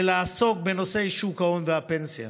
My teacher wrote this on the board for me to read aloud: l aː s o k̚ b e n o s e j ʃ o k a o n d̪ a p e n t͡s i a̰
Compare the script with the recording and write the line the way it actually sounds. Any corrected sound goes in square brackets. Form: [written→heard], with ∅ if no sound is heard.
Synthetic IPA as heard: l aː s o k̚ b e n o s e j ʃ [o→u] k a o n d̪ a p e n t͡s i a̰

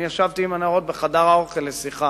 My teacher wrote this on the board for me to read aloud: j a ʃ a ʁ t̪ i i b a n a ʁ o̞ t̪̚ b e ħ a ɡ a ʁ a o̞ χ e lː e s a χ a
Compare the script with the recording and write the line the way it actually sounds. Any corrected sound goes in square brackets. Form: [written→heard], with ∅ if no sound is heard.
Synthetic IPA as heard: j a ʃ a [ʁ→v] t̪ i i [b→m] a n a ʁ o̞ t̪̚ b e [ħ→χ] a [ɡ→d] a ʁ a o̞ χ e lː e s [a→i] χ a

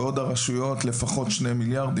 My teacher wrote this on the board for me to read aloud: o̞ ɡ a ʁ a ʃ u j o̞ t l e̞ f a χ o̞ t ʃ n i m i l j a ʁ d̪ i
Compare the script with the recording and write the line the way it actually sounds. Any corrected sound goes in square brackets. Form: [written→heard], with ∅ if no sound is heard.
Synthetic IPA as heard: o̞ [ɡ→d] a ʁ a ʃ u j o̞ t l e̞ f a χ o̞ t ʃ n [i→e] m i l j a ʁ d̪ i

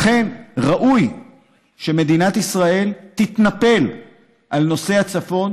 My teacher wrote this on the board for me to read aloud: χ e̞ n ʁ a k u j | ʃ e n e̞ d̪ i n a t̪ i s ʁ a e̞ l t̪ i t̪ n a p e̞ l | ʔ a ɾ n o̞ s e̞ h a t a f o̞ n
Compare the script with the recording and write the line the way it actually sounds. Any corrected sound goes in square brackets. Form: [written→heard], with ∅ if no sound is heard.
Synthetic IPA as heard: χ e̞ n ʁ a [k→ʔ] u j | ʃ e [n→m] e̞ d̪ i n a t̪ i s ʁ a e̞ l t̪ i t̪ n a p e̞ l | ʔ a [ɾ→l] n o̞ s e̞ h a [t→t͡s] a f o̞ n

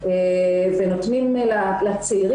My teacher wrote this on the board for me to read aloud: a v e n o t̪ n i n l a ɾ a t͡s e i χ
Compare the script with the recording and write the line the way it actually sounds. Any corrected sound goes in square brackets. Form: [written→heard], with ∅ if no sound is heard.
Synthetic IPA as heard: [a→e] v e n o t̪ n i [n→m] l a [ɾ→l] a t͡s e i [χ→ʁ]

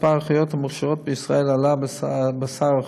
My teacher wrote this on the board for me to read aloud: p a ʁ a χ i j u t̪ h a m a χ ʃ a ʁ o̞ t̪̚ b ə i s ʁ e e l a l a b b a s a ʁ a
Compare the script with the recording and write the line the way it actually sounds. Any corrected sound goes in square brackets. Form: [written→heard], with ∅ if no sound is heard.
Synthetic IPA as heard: p a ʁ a χ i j [u→o] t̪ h a m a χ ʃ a ʁ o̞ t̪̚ b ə i s ʁ [e→a] e l a l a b b a s a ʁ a

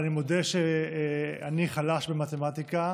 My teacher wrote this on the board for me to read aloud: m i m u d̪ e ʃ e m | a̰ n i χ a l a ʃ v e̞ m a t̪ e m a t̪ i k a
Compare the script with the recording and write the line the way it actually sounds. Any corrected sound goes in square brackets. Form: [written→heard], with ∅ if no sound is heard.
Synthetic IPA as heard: [m→n] i m [u→o] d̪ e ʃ e [m→∅] | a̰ n i χ a l a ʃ [v→b] e̞ m a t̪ e m a t̪ i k a

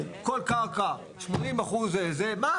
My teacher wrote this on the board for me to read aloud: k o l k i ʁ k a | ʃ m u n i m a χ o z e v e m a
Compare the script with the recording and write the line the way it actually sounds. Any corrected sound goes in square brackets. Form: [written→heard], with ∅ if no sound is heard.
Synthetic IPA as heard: k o l k [i→a] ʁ k a | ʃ m [u→o] n i m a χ [o→u] z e [v→z] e m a

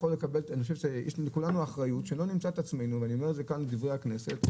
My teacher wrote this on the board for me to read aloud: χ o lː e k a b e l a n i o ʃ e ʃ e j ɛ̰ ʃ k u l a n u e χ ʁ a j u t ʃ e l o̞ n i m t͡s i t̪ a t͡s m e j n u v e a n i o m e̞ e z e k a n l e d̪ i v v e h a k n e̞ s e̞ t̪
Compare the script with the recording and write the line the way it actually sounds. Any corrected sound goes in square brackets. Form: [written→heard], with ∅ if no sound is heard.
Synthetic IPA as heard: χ o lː e k a b e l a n i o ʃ e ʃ e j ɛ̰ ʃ k u l a n u [e→a] χ ʁ a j u t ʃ e l o̞ n i m t͡s [i→a] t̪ a t͡s m e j n u v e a n i o m e̞ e z e k a n l e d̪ i v [v→ʁ] e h a k n e̞ s e̞ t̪

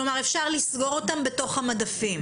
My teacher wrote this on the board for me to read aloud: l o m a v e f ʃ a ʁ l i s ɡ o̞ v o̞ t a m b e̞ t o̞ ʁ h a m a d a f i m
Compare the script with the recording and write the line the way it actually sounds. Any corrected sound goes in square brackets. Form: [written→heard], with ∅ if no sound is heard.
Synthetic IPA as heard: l o m a [v→ʁ] e f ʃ a ʁ l i s ɡ o̞ [v→ʁ] o̞ t a m b e̞ t o̞ [ʁ→χ] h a m a d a f i m

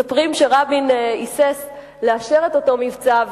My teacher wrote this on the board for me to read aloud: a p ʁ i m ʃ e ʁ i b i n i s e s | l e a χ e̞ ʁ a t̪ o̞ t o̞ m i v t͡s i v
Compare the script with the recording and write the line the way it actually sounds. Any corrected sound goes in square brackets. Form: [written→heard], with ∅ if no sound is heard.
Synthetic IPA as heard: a p ʁ i m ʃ e ʁ [i→a] b i n i s e s | l e a [χ→ʃ] e̞ ʁ [a→e] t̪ o̞ t o̞ m i v t͡s [i→a] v

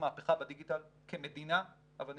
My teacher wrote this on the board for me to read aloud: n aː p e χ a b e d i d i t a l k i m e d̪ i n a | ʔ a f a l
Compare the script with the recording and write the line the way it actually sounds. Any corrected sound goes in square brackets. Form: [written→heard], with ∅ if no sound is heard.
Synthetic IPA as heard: [n→m] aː p e χ a b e d i [d→ɡ] i t a l k [i→e] m e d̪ i n a | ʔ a [f→v] a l

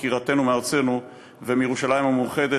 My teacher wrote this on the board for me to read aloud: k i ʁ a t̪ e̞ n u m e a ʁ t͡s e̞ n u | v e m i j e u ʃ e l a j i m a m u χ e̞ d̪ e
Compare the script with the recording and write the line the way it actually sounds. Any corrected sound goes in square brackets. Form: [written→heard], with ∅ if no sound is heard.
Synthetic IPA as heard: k i ʁ a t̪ e̞ n u m e a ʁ t͡s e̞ n u | v e m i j e u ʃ [e→a] l a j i m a m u χ e̞ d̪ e

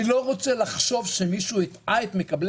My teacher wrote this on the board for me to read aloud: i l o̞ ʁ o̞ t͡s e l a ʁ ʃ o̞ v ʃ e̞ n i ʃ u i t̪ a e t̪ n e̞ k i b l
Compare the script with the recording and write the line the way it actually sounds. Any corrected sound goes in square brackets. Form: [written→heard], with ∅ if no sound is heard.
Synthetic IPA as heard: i l o̞ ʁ o̞ t͡s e l a [ʁ→χ] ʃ o̞ v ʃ e̞ [n→m] i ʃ u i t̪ a e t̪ [n→m] e̞ k [i→a] b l

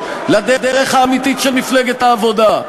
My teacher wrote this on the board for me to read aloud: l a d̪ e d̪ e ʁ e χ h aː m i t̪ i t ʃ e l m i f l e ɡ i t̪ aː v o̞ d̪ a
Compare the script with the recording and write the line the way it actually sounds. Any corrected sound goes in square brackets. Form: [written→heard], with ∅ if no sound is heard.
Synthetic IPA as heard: l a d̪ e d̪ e ʁ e χ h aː m i t̪ i t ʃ e l m i f l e ɡ [i→e] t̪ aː v o̞ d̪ a

